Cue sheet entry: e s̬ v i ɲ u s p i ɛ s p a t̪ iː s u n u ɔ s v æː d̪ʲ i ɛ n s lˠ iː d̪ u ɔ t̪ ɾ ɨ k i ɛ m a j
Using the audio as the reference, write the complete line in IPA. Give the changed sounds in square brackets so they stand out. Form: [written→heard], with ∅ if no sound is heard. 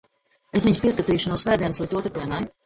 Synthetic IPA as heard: e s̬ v i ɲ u s p i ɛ s [p→k] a t̪ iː [s→ʃ] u n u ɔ s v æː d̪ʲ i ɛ n s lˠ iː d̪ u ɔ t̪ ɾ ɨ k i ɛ [m→n] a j